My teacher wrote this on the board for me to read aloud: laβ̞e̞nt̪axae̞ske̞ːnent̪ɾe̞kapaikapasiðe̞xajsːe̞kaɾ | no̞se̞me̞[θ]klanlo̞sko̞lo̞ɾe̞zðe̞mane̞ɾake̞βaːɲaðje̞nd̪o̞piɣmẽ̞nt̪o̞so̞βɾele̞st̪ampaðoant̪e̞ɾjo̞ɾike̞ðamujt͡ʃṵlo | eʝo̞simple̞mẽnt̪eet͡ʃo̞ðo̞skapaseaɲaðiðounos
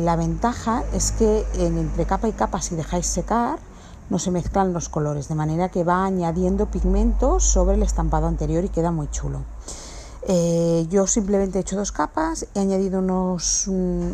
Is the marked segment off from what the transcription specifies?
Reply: no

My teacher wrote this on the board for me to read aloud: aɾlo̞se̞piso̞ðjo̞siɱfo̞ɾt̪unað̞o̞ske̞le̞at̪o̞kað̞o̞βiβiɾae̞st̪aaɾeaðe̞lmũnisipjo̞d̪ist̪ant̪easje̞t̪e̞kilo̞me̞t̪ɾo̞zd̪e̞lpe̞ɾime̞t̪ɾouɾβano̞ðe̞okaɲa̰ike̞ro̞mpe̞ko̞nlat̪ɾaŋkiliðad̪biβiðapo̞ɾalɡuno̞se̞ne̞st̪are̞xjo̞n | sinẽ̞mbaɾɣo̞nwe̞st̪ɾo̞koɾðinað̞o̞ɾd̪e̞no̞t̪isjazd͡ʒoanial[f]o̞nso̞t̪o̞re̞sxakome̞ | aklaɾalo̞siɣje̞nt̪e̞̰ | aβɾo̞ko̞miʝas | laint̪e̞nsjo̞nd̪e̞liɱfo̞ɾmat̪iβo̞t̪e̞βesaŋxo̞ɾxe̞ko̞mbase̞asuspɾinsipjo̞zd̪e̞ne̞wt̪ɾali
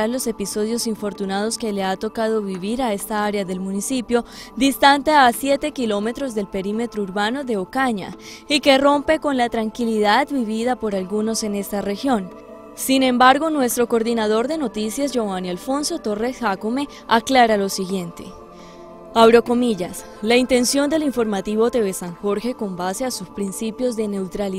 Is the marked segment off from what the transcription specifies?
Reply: no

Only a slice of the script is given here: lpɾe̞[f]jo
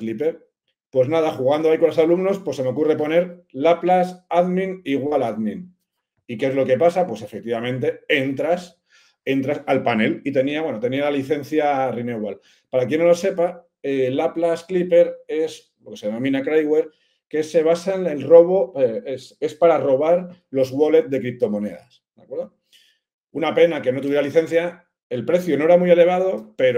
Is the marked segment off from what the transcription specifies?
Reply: yes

